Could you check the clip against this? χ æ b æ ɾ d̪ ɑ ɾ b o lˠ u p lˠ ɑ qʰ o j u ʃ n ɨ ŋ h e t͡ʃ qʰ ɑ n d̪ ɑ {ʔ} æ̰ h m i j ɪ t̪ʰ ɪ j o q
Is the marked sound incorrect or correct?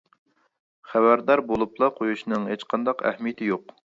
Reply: incorrect: q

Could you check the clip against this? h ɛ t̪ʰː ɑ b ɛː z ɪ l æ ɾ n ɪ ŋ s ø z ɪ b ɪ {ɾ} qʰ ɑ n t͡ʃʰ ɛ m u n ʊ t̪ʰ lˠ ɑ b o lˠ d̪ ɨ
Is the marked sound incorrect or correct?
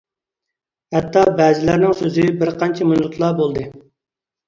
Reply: correct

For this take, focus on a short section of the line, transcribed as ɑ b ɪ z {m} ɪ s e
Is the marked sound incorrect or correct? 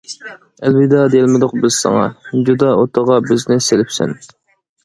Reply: incorrect: n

